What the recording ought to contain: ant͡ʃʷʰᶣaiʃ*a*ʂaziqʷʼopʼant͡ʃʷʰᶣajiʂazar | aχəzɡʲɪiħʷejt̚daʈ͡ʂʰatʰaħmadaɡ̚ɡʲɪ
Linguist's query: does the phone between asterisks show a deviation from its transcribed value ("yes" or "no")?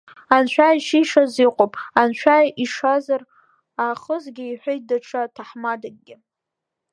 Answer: yes